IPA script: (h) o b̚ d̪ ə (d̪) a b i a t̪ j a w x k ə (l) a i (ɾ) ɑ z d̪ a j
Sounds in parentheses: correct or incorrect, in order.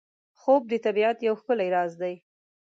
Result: incorrect, incorrect, correct, correct

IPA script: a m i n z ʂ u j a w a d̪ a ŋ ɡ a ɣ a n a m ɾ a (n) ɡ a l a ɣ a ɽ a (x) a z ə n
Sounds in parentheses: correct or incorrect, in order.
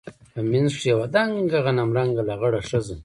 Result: incorrect, incorrect

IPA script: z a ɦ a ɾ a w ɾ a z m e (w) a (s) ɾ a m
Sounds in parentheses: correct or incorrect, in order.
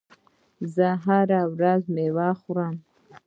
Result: correct, incorrect

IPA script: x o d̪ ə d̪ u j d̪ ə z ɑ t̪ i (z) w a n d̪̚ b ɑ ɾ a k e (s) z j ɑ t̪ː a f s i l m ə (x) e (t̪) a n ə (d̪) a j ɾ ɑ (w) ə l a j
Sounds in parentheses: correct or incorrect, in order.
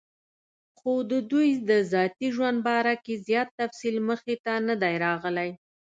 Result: incorrect, incorrect, correct, correct, correct, incorrect

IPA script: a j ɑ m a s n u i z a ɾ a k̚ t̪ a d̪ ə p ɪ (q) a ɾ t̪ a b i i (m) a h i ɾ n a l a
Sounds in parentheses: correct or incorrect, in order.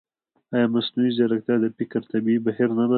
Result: incorrect, incorrect

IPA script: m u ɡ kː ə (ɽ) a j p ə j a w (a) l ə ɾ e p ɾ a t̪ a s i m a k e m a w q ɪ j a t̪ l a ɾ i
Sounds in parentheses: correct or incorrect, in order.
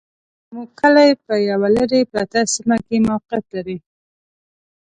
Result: incorrect, correct

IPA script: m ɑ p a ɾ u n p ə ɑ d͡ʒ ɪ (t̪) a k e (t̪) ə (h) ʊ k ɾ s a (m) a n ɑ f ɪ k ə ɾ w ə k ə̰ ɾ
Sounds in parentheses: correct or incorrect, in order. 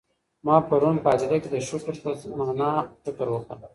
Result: incorrect, incorrect, incorrect, correct

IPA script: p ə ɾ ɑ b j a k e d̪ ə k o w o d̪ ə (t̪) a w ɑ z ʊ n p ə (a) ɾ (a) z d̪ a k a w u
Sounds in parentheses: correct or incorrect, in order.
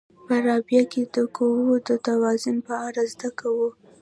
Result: correct, correct, correct

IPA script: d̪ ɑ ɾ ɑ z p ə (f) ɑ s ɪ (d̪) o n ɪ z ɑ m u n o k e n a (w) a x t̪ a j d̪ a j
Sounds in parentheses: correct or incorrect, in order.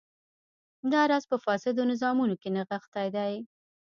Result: correct, correct, incorrect

